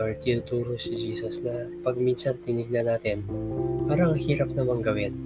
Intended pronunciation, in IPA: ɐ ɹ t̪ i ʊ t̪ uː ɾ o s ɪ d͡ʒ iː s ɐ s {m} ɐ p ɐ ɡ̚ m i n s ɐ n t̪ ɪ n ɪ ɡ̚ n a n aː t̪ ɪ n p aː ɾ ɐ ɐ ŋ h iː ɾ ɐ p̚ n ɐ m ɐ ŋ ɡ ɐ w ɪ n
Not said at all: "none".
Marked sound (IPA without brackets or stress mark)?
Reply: n